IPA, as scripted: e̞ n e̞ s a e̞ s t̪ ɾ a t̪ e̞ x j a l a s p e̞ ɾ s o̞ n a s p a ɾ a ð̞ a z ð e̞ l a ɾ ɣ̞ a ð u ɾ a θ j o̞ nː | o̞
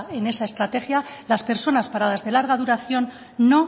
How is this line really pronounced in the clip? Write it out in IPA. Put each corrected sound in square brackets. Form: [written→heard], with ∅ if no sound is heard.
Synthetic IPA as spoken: e̞ n e̞ s a e̞ s t̪ ɾ a t̪ e̞ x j a l a s p e̞ ɾ s o̞ n a s p a ɾ a ð̞ a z ð e̞ l a ɾ ɣ̞ a ð u ɾ a θ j o̞ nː | o̞